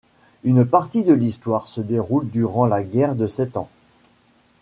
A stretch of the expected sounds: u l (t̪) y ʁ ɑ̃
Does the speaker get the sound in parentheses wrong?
yes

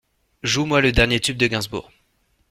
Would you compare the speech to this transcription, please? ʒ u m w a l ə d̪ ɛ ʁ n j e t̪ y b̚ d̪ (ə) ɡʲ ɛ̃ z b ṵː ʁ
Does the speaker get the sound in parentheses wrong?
no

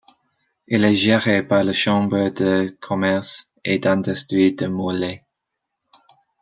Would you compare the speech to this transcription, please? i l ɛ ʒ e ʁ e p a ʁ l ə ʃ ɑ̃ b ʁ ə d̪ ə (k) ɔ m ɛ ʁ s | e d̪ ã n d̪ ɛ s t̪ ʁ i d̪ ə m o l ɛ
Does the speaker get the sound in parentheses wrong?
yes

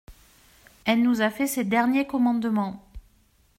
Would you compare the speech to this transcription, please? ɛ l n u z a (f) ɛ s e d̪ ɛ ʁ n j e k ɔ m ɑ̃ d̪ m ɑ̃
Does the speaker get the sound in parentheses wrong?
no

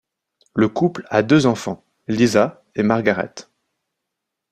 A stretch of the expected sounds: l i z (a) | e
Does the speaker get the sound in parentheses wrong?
no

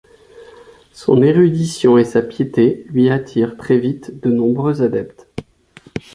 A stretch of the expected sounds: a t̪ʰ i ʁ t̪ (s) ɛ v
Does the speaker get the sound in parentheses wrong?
yes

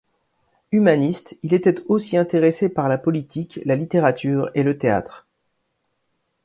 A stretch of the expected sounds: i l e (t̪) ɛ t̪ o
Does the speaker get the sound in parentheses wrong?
no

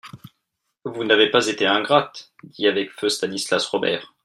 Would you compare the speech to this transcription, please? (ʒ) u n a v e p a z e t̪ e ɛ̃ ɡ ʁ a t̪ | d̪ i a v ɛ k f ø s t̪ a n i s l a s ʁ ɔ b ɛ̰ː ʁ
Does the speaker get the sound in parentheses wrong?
yes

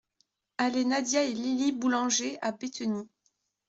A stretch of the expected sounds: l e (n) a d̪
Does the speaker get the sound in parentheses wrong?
no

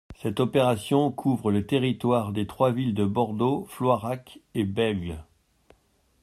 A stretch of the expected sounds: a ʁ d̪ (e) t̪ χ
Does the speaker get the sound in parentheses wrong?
no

